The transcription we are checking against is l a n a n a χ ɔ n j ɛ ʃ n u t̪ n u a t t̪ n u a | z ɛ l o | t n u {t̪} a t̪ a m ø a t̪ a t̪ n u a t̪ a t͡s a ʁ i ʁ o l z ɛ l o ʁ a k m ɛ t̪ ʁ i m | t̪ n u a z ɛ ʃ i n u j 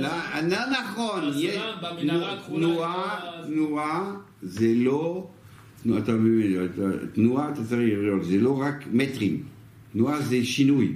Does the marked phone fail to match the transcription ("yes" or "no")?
yes